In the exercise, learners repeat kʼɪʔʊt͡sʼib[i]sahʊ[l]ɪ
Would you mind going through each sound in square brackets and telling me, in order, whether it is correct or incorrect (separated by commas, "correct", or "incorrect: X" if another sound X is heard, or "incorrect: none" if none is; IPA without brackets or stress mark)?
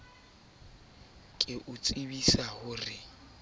correct, incorrect: r